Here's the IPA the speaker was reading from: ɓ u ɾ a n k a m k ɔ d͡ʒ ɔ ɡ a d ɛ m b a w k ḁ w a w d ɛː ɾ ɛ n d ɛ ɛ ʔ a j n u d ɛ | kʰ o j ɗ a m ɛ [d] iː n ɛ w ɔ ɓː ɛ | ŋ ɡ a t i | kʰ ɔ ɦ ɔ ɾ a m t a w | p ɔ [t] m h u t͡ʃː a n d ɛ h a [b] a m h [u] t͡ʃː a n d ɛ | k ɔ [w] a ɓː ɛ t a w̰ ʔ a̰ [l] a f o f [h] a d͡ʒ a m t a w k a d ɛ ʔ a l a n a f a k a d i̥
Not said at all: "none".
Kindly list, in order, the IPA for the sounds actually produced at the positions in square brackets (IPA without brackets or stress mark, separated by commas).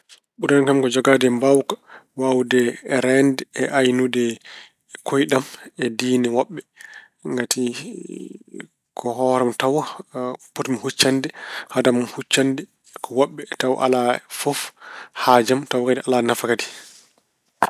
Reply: d, t, d, u, w, l, h